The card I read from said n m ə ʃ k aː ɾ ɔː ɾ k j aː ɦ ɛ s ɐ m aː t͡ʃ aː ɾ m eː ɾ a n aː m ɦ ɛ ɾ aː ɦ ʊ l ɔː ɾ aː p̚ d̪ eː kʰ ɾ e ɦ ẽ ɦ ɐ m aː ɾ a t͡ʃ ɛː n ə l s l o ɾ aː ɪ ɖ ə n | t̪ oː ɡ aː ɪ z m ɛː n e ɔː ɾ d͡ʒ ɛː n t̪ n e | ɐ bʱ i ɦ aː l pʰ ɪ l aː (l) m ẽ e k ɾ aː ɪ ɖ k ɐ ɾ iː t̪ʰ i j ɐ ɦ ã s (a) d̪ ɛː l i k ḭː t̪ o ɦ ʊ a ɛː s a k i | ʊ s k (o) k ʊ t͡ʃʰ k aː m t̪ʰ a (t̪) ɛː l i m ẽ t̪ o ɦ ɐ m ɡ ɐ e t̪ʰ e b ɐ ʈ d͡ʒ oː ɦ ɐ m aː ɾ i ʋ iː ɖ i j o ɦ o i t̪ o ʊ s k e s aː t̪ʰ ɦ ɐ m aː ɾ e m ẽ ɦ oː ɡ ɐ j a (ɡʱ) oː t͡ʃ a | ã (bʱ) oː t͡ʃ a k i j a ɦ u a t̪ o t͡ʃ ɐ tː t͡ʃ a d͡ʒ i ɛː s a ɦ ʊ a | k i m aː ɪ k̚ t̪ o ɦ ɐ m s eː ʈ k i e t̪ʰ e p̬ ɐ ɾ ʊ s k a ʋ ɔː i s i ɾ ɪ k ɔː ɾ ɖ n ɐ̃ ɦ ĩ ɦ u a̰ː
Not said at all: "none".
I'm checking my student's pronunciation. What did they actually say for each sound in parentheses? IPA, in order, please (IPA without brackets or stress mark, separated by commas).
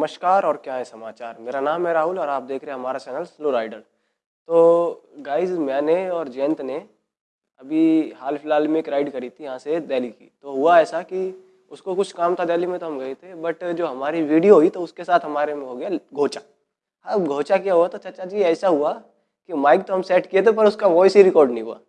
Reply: l, e, o, d̪, ɡʱ, ɡʱ